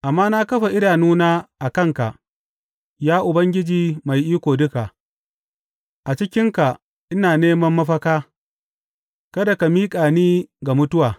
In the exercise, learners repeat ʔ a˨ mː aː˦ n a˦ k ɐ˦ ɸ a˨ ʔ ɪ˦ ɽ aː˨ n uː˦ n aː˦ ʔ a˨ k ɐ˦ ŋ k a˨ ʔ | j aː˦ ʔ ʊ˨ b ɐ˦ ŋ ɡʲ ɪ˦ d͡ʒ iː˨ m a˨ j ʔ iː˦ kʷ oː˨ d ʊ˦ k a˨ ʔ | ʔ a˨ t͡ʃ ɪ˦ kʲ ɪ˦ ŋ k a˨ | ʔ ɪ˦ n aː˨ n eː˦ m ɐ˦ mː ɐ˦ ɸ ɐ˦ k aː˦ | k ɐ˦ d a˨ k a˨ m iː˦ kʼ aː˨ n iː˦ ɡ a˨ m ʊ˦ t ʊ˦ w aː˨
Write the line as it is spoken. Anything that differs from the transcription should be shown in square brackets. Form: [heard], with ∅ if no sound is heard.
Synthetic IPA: ʔ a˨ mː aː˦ n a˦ k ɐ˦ ɸ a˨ ʔ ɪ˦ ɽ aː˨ n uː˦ n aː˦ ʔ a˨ k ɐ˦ ŋ k a˨ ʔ | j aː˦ ʔ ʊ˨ b ɐ˦ ŋ ɡʲ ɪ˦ d͡ʒ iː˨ m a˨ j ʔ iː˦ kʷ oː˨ d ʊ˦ k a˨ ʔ | ʔ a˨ t͡ʃ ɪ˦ kʲ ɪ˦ ŋ k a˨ | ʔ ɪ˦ n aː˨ n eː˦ m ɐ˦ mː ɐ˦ ɸ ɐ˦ k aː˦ | k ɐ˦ d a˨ k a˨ m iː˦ kʼ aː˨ n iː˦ ɡ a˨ m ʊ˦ t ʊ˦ w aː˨